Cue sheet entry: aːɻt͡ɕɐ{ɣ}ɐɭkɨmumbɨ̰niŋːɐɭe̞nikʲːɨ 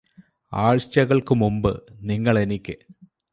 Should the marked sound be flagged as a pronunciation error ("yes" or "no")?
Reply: no